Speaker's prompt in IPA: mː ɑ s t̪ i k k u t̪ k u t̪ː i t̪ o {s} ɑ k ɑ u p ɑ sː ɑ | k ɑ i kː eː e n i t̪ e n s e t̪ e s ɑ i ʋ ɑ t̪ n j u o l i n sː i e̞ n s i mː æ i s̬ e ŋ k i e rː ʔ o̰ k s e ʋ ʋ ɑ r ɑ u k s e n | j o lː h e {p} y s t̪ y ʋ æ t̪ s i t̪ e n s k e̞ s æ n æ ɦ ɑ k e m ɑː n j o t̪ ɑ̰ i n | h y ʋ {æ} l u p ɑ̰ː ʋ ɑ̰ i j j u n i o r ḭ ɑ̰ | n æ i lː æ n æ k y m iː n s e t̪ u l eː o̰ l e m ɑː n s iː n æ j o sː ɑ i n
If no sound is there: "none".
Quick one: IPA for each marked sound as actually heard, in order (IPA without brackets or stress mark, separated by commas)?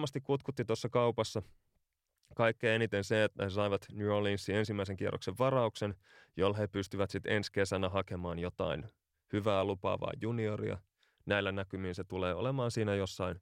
sː, p, æː